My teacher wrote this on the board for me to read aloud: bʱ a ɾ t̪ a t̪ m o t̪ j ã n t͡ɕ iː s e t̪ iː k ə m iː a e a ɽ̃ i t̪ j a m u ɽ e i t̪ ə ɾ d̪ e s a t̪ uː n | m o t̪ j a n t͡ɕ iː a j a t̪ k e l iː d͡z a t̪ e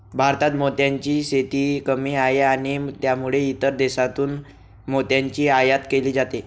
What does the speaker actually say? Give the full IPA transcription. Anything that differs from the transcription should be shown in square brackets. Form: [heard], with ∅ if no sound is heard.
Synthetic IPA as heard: bʱ a ɾ t̪ a t̪ m o t̪ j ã [ɲ] t͡ɕ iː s e t̪ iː k ə m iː a e a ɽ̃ i t̪ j a m u [ɭ] e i t̪ ə ɾ d̪ e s a t̪ uː n | m o t̪ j a [ɲ] t͡ɕ iː a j a t̪ k e l iː d͡z a t̪ e